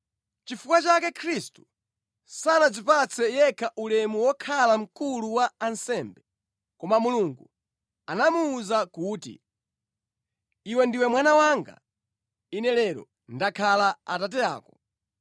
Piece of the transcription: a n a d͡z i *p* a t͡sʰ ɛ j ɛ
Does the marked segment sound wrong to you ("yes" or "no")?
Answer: no